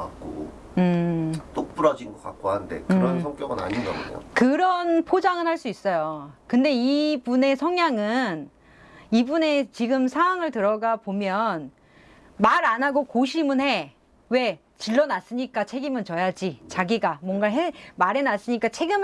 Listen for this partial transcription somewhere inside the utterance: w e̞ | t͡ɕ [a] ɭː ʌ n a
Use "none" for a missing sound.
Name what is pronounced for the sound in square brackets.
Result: i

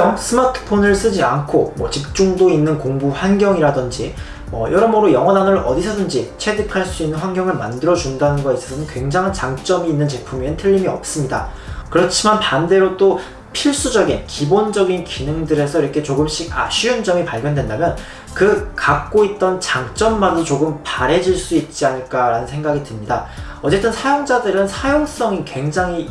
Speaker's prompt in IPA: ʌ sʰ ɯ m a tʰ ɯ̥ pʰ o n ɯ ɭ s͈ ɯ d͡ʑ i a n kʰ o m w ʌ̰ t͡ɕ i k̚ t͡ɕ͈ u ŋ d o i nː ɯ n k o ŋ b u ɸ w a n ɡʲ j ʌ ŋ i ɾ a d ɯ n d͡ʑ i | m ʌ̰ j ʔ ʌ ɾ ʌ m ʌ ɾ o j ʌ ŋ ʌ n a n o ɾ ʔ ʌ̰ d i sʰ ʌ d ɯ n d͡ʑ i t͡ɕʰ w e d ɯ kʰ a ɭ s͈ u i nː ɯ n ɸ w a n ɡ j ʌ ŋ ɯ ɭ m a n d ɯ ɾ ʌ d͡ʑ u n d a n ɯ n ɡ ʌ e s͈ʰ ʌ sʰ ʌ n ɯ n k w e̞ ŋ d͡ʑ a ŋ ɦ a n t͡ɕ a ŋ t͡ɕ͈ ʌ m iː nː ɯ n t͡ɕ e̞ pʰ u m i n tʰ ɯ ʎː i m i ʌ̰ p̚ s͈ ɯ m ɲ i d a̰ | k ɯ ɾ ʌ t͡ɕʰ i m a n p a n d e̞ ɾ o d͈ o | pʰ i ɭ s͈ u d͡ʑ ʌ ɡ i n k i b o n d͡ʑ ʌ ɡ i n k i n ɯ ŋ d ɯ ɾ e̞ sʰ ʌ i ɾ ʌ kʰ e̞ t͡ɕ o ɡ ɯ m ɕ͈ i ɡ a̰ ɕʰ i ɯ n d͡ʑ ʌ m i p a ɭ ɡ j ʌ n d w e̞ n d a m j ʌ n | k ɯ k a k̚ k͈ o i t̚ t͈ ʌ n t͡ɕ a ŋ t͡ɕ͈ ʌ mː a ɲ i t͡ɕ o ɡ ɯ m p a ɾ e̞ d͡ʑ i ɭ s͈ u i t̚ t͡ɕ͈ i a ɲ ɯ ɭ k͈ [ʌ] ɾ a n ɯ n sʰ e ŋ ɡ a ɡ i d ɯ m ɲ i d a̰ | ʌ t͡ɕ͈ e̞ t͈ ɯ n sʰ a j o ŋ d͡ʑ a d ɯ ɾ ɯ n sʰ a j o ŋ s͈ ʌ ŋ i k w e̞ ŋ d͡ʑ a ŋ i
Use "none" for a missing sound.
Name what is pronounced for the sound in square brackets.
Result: a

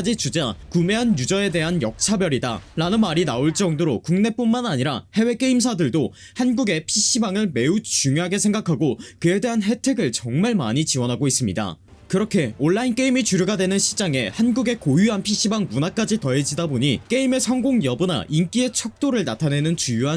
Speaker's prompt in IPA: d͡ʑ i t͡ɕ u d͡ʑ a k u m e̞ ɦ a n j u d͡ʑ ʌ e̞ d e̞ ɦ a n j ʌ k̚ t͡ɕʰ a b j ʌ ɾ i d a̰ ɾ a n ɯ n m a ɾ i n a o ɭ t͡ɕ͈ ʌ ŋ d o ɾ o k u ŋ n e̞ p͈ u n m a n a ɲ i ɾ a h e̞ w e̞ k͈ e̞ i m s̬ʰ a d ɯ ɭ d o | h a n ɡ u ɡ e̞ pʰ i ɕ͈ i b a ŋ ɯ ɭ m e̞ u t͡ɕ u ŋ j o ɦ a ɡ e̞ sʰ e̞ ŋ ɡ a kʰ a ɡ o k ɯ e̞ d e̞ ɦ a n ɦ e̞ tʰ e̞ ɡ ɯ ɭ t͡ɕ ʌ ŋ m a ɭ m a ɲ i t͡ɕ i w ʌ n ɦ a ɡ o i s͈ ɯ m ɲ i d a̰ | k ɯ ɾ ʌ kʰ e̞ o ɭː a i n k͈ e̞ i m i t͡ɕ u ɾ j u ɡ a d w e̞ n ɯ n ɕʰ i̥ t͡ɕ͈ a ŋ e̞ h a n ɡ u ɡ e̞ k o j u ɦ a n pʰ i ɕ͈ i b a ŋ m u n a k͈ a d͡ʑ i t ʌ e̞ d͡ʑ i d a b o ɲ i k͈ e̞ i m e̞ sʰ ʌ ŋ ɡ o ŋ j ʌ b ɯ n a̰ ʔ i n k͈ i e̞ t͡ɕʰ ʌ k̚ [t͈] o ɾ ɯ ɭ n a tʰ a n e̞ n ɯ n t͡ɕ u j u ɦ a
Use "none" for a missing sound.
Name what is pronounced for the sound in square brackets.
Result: t͈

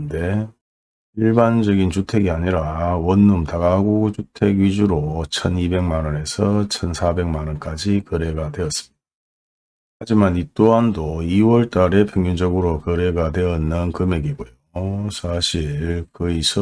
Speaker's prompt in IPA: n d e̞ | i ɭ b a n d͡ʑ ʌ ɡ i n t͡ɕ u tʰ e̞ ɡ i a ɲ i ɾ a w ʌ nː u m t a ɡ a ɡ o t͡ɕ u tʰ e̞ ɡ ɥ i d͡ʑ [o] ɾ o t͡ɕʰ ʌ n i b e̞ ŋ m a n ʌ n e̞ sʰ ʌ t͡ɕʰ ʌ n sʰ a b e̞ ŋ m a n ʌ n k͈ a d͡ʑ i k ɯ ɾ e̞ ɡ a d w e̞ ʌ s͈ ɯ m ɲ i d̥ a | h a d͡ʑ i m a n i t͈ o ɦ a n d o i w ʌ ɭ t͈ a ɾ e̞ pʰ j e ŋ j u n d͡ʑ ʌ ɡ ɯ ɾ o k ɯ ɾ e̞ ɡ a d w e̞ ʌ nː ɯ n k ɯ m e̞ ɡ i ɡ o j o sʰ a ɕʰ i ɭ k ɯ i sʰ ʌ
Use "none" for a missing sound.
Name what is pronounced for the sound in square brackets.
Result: u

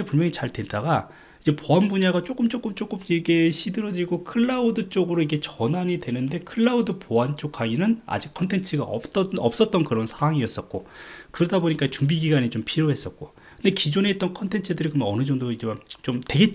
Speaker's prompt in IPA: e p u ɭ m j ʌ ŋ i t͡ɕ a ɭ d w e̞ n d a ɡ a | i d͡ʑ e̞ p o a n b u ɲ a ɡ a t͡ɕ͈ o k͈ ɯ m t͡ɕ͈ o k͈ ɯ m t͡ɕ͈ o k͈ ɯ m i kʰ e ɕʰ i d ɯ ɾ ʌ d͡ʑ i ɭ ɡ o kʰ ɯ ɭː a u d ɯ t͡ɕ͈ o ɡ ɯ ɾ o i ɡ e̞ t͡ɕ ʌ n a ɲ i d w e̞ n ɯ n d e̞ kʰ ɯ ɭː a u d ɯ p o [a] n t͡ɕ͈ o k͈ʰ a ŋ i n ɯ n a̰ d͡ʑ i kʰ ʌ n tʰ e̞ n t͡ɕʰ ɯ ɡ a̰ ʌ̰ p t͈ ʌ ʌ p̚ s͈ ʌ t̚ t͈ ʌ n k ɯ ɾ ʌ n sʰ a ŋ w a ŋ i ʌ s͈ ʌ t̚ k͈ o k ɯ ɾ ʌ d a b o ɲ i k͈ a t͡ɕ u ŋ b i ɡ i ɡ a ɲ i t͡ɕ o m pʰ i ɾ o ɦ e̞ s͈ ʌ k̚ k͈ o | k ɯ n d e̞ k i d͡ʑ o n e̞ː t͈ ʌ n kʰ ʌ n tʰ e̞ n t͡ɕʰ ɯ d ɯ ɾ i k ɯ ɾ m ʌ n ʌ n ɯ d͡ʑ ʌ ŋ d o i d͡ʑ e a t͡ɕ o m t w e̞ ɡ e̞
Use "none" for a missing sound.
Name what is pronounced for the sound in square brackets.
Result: a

